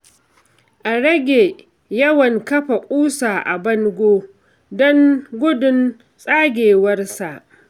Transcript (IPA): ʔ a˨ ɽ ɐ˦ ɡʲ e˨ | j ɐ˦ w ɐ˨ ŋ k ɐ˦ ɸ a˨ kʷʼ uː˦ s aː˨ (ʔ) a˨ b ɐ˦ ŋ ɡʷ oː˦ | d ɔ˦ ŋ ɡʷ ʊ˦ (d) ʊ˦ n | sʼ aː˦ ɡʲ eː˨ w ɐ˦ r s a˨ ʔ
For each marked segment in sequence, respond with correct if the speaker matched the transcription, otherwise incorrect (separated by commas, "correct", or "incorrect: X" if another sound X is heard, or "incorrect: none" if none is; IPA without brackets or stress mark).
correct, correct